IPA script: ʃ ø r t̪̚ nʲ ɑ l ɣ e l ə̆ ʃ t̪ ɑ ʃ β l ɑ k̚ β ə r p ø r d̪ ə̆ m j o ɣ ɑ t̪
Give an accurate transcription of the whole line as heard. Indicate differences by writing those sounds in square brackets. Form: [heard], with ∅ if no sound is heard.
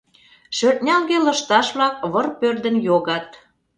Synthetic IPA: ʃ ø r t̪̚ nʲ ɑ l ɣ e l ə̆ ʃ t̪ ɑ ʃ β l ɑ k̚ β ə r p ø r d̪ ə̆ [n] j o ɣ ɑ t̪